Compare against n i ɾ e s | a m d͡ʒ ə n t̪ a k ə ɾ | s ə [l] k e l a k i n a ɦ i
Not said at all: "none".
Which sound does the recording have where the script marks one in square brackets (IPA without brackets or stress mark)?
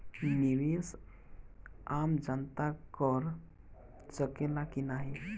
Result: none